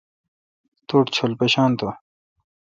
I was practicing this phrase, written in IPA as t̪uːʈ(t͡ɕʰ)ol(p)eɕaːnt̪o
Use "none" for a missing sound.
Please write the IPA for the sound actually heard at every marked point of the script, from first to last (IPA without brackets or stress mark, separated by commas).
t͡ɕʰ, p